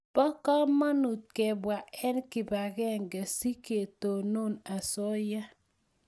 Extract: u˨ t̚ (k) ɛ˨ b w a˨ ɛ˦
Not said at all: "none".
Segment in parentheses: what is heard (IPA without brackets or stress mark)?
k